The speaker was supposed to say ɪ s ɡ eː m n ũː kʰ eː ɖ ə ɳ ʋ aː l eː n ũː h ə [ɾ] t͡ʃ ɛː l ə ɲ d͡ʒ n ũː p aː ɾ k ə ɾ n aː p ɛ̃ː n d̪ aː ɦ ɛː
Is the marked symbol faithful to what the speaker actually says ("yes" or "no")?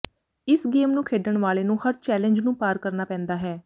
yes